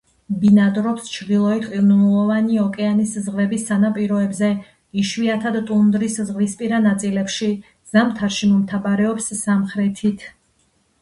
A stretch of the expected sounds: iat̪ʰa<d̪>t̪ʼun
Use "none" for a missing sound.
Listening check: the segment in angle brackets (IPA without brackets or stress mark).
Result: d̪